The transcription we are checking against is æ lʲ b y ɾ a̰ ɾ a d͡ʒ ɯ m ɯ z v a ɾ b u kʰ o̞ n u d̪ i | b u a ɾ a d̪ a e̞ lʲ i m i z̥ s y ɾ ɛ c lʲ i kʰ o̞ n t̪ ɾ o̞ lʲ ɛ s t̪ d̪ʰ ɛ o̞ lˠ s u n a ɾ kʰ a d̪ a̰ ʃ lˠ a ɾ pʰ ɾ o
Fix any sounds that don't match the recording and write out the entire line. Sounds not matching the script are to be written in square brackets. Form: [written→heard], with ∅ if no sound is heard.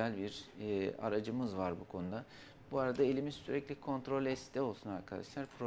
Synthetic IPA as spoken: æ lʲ b [y→i] ɾ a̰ ɾ a d͡ʒ ɯ m ɯ z v a ɾ b u kʰ o̞ n u d̪ [i→a] | b u a ɾ a d̪ a e̞ lʲ i m i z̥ s y ɾ ɛ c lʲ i kʰ o̞ n t̪ ɾ o̞ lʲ ɛ s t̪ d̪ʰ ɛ o̞ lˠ s u n a ɾ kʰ a d̪ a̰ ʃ lˠ a ɾ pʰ ɾ o